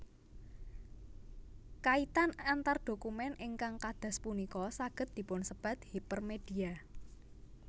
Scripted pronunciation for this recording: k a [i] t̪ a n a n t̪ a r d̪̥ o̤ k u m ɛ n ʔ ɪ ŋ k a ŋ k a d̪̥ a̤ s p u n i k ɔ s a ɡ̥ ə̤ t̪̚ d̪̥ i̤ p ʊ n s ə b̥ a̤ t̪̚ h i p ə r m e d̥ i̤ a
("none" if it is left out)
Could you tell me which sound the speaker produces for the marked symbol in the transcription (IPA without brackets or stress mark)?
i